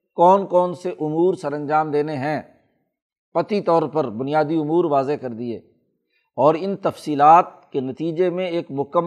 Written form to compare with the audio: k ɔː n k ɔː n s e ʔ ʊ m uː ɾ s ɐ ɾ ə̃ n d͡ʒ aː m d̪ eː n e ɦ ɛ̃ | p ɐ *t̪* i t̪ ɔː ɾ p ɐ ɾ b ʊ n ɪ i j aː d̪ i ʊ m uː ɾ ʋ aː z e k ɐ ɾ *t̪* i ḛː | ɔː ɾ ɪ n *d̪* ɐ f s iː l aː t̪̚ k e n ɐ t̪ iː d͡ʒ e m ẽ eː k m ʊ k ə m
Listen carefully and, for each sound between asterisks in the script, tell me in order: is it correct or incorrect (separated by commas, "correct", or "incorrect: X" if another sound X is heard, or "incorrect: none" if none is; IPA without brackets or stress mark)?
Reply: correct, incorrect: d̪, incorrect: t̪